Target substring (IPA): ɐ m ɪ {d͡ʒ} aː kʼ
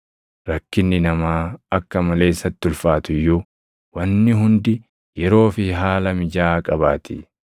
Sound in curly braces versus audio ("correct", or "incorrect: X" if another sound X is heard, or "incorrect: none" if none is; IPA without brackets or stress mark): correct